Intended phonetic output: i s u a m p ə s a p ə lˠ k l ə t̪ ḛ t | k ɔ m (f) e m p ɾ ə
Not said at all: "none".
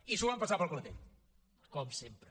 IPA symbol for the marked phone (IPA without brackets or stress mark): s